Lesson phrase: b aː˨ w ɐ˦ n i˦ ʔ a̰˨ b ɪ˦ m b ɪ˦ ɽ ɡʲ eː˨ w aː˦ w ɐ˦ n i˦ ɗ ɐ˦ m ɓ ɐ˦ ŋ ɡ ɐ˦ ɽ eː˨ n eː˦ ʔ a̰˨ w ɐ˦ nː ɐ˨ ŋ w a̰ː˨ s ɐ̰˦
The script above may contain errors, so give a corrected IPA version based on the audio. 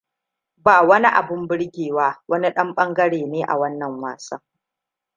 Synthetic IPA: b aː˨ w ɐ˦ n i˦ ʔ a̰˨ b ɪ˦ m b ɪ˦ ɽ ɡʲ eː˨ w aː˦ w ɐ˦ n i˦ ɗ ɐ˦ m ɓ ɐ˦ ŋ ɡ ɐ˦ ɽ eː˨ n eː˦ ʔ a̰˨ w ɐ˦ nː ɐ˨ ŋ w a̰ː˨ s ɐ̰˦